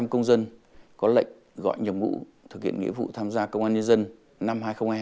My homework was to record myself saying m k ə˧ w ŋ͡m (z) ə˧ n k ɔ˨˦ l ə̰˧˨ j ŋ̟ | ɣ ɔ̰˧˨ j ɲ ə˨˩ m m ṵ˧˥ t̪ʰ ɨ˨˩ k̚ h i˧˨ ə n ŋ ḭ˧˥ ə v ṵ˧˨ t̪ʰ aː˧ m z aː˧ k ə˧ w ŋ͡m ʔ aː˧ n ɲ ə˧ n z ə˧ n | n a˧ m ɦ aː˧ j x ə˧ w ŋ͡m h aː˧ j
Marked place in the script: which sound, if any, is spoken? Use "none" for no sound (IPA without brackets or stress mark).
z